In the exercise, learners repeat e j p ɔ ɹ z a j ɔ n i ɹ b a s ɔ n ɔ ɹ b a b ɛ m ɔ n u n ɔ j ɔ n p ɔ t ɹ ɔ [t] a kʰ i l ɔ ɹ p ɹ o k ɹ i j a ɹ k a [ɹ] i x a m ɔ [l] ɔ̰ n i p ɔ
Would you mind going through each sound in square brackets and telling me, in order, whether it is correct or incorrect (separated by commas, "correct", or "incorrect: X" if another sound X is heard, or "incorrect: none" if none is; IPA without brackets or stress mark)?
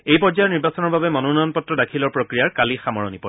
incorrect: d, incorrect: l, incorrect: ɹ